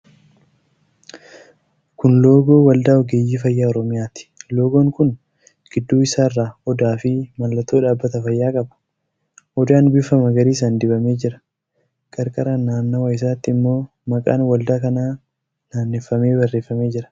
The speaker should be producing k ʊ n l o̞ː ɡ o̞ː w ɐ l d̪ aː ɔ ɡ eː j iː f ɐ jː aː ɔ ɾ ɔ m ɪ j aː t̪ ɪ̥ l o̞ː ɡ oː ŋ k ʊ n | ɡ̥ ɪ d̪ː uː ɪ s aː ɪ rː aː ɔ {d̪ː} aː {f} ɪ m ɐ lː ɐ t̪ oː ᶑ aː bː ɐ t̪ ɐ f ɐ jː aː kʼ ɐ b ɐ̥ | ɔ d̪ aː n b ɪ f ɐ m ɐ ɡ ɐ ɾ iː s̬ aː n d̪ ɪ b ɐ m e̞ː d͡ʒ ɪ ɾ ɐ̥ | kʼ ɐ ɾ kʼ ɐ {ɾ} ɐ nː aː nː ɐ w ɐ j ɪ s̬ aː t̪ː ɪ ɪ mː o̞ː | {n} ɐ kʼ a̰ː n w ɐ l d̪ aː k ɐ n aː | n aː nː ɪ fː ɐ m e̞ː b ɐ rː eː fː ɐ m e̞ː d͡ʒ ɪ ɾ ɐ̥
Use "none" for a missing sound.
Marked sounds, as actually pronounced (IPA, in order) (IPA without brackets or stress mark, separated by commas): d̪, f, ɾ, m